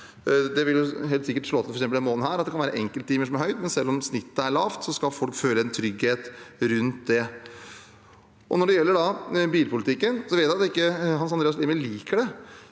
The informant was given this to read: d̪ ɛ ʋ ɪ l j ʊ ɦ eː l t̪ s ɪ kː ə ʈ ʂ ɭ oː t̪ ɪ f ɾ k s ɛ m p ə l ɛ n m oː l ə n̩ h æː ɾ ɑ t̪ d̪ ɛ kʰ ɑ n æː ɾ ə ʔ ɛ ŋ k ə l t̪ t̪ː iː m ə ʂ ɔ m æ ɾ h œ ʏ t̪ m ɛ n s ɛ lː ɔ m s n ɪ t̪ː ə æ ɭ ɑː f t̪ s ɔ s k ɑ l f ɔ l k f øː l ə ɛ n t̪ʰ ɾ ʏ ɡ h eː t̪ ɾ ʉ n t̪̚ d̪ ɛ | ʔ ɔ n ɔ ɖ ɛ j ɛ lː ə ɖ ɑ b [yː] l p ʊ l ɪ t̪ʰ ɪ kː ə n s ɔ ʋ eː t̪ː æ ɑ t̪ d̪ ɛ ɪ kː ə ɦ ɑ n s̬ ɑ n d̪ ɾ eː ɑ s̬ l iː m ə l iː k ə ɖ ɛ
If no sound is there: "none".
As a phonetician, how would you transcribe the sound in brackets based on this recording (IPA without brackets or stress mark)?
iː